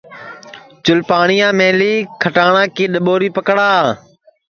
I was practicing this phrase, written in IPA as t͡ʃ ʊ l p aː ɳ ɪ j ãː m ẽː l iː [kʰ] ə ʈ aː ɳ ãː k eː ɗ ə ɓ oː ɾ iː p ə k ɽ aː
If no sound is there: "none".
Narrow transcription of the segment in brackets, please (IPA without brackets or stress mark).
kʰ